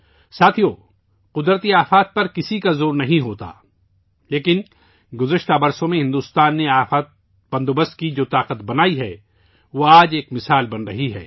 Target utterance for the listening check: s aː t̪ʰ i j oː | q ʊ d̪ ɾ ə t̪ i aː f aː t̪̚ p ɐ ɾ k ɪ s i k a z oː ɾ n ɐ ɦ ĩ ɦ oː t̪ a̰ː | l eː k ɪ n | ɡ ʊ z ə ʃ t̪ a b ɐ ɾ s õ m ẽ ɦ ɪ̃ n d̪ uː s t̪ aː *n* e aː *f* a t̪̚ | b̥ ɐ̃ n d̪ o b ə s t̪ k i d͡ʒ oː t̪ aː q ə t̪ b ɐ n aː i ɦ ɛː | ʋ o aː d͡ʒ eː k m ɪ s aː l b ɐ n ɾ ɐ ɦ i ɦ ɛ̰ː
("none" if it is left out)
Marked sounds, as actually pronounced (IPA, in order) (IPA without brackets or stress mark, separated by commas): nː, f